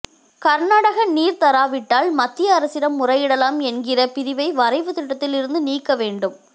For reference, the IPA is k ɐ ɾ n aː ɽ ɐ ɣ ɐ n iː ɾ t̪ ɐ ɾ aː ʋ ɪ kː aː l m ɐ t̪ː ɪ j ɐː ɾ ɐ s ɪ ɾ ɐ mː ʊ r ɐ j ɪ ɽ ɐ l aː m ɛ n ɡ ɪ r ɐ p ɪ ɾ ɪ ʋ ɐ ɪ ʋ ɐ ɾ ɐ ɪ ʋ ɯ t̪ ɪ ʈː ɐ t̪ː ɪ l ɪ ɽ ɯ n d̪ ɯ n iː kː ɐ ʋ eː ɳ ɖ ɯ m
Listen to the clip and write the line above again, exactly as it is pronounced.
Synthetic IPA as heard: k ɐ ɾ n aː ɽ ɐ ɣ ɐ n iː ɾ t̪ ɐ ɾ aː ʋ ɪ ʈː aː l m ɐ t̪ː ɪ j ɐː ɾ ɐ s ɪ ɾ ɐ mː ʊ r ɐ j ɪ ɽ ɐ l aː m ɛ n ɡ ɪ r ɐ p ɪ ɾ ɪ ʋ ɐ ɪ ʋ ɐ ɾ ɐ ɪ ʋ ɯ t̪ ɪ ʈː ɐ t̪ː ɪ l ɪ ɾ ɯ n d̪ ɯ n iː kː ɐ ʋ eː ɳ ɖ ɯ m